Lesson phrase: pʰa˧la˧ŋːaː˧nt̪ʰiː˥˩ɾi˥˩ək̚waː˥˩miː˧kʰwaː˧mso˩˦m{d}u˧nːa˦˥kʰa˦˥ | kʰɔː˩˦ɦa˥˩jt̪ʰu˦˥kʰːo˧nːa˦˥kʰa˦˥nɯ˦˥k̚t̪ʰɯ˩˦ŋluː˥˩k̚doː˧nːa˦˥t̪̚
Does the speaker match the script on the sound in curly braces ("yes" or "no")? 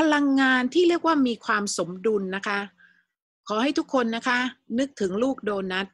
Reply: yes